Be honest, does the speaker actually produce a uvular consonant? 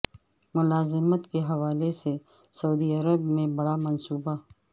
no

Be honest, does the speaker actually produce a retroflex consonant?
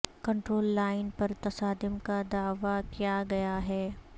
yes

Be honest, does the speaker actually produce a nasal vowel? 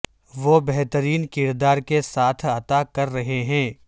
yes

